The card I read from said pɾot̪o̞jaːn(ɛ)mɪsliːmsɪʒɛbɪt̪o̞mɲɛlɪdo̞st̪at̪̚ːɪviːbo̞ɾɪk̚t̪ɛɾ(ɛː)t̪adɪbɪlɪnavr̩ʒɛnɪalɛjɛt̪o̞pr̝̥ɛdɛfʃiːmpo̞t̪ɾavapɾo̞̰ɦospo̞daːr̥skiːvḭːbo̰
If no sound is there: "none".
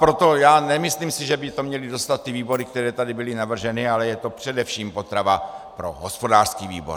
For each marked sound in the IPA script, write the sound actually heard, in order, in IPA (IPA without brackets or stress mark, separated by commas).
ɛ, ɛː